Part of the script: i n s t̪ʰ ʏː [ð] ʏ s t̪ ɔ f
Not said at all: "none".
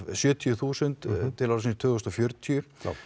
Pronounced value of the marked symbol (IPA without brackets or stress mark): ɣ